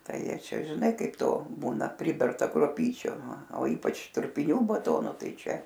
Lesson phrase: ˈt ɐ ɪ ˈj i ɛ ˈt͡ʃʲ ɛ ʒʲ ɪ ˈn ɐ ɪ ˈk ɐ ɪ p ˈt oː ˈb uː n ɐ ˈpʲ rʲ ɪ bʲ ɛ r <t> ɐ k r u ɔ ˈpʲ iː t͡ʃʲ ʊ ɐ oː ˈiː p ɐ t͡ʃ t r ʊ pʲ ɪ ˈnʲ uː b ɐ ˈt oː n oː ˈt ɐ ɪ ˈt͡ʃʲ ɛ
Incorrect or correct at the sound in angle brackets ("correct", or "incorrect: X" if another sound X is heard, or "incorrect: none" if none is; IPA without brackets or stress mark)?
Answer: correct